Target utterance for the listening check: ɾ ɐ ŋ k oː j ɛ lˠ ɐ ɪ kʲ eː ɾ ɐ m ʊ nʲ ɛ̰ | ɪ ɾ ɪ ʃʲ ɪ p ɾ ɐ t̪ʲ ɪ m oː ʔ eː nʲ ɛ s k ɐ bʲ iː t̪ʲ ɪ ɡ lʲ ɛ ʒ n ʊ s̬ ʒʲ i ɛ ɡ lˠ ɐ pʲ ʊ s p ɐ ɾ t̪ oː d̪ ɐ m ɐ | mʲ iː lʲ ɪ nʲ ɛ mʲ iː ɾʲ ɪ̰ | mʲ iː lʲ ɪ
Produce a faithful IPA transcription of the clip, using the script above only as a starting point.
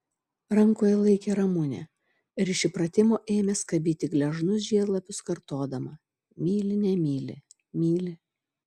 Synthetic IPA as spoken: ɾ ɐ ŋ k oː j ɛ lˠ ɐ ɪ kʲ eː ɾ ɐ m ʊ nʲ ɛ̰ | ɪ ɾ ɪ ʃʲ ɪ p ɾ ɐ t̪ʲ ɪ m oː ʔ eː mʲ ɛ s k ɐ bʲ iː t̪ʲ ɪ ɡ lʲ ɛ ʒ n ʊ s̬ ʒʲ i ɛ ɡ lˠ ɐ pʲ ʊ s k ɐ ɾ t̪ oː d̪ ɐ m ɐ | mʲ iː lʲ ɪ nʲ ɛ mʲ iː lʲ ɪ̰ | mʲ iː lʲ ɪ